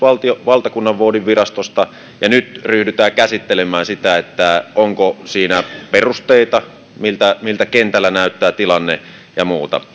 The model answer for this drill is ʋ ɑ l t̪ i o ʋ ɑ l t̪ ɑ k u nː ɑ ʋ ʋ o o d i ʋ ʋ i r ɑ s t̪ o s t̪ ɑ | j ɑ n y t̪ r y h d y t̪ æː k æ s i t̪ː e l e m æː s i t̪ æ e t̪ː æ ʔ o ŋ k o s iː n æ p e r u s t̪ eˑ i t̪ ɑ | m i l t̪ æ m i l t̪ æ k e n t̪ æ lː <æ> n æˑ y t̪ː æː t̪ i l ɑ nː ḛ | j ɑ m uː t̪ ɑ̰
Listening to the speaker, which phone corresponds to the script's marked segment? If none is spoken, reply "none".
æ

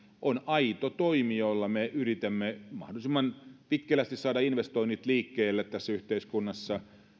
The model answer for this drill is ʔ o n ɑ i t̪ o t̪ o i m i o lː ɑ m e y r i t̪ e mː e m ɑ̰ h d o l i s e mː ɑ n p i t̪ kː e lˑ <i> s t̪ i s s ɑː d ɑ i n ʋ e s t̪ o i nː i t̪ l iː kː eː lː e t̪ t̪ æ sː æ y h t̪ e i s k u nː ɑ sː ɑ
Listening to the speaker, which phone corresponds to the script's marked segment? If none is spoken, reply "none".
æ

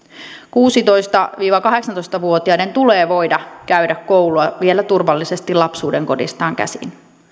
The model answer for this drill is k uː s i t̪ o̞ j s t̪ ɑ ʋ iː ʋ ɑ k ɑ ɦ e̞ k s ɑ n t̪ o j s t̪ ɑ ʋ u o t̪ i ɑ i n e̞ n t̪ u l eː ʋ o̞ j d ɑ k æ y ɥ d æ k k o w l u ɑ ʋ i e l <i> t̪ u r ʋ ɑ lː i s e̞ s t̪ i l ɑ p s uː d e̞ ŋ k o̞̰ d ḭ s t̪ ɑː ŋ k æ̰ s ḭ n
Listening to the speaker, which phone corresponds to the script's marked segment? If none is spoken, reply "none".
æ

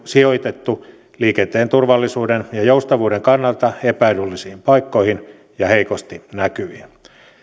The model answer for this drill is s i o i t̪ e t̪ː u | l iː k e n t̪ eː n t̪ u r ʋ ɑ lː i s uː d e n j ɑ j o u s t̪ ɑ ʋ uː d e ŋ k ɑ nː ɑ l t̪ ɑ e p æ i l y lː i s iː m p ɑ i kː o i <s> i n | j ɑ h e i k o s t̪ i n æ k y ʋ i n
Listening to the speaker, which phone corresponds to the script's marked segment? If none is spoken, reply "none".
h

